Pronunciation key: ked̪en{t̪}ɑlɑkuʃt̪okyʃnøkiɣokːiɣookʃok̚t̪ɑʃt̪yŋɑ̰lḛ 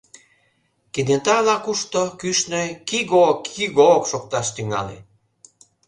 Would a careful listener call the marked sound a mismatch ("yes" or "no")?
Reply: no